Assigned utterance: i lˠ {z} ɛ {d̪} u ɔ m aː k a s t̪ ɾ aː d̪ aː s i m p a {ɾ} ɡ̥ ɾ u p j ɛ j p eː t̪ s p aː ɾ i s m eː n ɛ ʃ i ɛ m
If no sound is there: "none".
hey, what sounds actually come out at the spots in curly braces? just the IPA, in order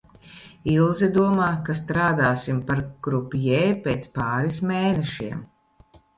z, d̪, ɾ

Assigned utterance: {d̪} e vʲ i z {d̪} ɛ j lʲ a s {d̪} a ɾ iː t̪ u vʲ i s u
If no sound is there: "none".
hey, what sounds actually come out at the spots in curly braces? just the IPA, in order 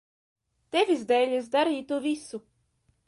t̪, d̪, d̪

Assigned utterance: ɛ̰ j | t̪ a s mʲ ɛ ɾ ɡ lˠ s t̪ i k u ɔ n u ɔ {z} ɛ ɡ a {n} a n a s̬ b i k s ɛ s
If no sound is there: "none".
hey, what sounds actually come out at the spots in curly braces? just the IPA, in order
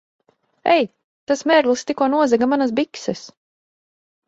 z, m

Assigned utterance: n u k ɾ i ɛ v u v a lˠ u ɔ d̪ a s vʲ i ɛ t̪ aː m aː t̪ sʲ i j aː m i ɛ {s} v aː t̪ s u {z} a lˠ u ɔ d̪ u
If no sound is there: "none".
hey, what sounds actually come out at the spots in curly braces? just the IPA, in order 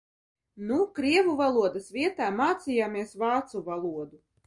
s, v

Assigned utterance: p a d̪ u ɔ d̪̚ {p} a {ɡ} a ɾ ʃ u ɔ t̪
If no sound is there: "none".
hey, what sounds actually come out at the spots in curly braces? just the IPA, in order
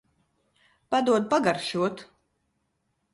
p, ɡ

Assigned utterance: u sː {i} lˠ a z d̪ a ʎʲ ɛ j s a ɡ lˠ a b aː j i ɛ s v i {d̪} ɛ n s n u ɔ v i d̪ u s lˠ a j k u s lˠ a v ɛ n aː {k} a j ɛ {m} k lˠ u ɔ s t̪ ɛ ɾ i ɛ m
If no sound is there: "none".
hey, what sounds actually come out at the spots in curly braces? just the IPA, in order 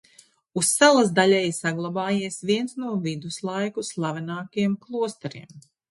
a, none, k, m

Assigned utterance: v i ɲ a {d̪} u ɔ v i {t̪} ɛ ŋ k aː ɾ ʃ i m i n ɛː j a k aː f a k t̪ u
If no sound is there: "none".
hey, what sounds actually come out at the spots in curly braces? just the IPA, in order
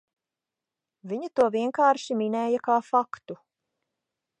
t̪, none

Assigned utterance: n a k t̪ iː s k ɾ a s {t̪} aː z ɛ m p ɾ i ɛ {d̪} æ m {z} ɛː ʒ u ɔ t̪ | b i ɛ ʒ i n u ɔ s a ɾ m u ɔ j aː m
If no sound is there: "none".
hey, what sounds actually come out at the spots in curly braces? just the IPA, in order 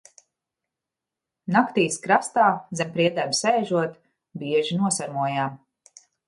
t̪, d̪, s

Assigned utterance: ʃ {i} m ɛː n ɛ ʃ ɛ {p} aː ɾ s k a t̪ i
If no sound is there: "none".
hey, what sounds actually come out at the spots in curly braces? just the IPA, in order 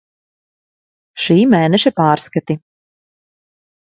iː, p

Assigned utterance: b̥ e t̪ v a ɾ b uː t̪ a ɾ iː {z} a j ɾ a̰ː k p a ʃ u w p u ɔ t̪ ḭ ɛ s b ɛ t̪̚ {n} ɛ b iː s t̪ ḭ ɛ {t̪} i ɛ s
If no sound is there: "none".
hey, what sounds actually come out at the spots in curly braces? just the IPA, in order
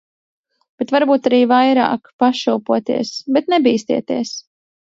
v, n, t̪

